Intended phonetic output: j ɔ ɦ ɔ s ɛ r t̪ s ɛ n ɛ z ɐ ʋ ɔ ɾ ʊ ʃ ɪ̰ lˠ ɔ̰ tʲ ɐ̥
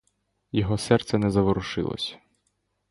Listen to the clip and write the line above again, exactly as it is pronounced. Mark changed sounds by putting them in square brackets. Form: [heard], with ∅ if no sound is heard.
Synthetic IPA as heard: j ɔ ɦ ɔ s ɛ r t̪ s ɛ n ɛ z ɐ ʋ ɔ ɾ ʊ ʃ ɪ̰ lˠ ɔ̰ [sʲ] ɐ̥